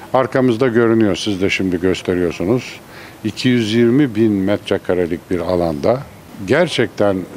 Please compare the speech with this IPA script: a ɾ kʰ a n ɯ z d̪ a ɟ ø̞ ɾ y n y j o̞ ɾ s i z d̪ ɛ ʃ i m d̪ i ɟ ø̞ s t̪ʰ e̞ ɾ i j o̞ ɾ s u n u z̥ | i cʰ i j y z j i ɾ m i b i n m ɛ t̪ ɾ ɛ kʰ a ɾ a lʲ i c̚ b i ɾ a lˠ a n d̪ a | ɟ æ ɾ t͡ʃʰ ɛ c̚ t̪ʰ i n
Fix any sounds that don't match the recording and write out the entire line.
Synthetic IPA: a ɾ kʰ a m ɯ z d̪ a ɟ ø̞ ɾ y n y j o̞ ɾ s i z d̪ ɛ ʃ i m d̪ i ɟ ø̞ s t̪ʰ e̞ ɾ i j o̞ ɾ s u n u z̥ | i cʰ i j y z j i ɾ m i b i n m ɛ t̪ ɾ ɛ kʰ a ɾ a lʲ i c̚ b i ɾ a lˠ a n d̪ a | ɟ æ ɾ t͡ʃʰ ɛ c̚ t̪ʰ æ n